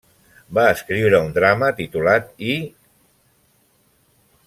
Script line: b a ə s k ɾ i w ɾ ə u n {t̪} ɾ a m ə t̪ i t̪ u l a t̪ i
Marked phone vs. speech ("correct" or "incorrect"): incorrect